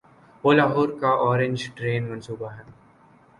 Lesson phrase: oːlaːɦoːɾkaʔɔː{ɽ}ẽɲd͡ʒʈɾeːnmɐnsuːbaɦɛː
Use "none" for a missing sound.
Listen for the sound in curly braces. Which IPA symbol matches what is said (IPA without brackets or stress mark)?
ɾ